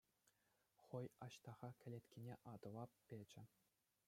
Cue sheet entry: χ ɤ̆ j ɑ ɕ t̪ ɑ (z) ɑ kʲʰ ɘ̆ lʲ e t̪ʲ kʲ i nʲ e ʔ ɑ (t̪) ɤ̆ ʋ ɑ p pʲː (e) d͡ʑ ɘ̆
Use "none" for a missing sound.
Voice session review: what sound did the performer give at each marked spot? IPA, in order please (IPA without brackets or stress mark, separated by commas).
ʁ, d̪, e